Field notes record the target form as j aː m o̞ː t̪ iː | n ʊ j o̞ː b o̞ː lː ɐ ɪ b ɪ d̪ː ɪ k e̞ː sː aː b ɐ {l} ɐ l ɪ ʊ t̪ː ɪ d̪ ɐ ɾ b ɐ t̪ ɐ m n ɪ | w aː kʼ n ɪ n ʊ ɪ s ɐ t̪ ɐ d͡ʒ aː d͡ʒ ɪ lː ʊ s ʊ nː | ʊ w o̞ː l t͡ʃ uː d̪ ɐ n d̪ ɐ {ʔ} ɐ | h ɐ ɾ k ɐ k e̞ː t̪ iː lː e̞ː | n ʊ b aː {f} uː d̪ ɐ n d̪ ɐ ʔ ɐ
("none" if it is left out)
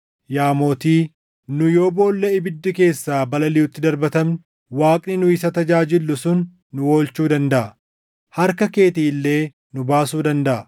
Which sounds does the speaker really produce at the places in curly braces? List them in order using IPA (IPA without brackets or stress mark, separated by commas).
l, ʔ, s